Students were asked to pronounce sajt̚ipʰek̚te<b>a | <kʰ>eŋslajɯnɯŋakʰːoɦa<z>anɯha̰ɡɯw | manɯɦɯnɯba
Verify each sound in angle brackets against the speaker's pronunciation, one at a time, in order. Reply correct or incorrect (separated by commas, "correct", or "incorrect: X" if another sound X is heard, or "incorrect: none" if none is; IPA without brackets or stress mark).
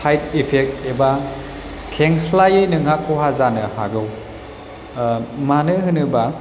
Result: correct, correct, correct